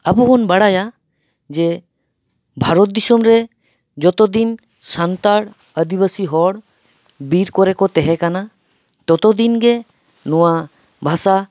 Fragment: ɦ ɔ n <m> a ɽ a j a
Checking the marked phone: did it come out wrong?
yes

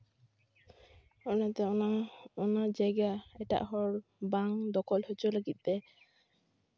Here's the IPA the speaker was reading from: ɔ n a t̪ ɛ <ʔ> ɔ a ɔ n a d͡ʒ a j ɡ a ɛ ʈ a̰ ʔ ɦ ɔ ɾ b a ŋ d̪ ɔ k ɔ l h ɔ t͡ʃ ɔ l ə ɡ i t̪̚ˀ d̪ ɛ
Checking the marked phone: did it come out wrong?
yes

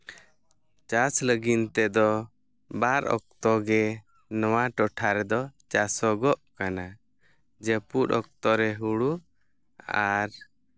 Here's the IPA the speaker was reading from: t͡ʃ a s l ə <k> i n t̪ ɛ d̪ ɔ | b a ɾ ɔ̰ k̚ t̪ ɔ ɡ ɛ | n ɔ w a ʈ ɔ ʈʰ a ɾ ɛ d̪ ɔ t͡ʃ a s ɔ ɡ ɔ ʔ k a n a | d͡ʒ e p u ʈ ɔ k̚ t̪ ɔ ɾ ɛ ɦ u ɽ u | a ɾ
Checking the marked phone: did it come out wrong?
yes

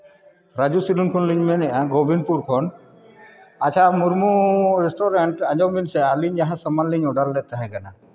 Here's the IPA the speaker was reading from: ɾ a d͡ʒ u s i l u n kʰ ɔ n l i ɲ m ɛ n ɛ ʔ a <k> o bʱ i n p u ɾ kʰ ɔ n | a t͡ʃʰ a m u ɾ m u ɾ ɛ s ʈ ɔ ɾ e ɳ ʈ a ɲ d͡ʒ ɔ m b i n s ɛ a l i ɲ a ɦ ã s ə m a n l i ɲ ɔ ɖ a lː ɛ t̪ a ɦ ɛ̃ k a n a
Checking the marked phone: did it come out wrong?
yes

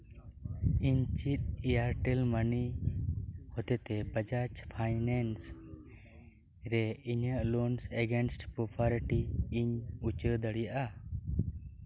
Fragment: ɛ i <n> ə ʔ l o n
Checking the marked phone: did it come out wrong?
yes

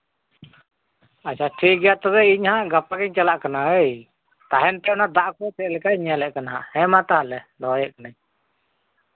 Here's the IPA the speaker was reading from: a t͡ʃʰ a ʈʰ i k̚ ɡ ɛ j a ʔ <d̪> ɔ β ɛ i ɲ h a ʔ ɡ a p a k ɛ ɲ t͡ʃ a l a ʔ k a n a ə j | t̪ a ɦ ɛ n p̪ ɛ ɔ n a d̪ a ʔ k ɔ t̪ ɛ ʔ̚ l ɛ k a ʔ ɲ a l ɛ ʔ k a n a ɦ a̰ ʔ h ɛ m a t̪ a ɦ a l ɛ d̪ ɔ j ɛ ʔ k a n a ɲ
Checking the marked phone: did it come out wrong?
yes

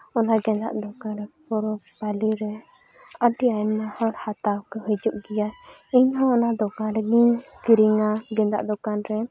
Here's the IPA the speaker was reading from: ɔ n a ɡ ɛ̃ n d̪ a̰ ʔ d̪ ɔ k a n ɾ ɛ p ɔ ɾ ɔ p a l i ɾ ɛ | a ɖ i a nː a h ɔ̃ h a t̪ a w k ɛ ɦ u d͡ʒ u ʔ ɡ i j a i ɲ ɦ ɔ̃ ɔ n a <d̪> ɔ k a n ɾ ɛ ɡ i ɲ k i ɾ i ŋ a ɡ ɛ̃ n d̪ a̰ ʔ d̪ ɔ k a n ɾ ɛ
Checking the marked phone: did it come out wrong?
no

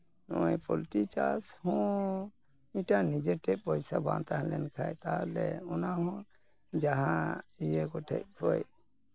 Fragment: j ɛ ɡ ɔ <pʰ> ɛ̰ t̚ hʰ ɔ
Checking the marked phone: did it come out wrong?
yes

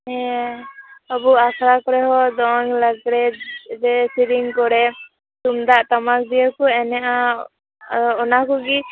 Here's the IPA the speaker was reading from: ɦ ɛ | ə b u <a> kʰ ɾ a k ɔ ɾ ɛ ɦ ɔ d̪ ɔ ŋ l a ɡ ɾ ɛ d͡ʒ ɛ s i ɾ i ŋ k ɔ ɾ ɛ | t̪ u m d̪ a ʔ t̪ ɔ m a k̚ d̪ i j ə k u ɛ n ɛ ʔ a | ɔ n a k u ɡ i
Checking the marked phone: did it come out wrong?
no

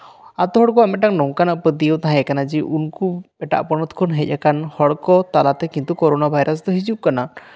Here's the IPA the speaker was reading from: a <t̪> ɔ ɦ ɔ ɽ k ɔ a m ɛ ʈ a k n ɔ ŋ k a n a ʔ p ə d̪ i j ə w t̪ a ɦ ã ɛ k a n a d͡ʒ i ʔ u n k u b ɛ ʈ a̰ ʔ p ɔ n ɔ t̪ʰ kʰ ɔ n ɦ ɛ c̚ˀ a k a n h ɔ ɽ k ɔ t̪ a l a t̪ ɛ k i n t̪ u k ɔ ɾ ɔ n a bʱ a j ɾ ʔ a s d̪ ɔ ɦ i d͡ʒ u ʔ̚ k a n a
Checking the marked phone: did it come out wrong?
no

